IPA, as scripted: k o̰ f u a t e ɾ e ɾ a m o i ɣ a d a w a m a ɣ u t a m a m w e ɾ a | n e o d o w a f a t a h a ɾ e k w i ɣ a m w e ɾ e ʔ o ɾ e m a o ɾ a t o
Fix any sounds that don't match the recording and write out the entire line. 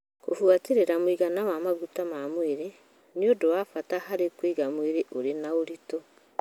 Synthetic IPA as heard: k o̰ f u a t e ɾ e ɾ a m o i ɣ a n a w a m a ɣ u t a m a m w e ɾ e | n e o d o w a f a t a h a ɾ e k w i ɣ a m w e ɾ e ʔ o ɾ e n a o ɾ i t o